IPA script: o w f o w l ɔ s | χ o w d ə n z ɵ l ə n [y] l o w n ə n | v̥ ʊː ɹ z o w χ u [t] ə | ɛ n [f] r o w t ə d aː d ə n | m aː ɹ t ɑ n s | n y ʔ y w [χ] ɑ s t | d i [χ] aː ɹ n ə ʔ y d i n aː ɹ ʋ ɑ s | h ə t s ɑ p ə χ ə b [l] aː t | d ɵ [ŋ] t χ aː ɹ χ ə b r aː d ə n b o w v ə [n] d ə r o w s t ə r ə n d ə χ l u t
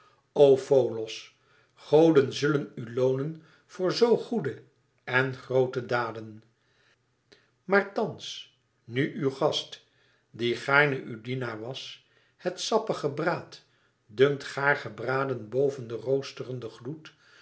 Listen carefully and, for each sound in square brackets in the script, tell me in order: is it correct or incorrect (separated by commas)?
correct, incorrect, incorrect, correct, correct, incorrect, correct, correct